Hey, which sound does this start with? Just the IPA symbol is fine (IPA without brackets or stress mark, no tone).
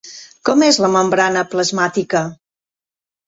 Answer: k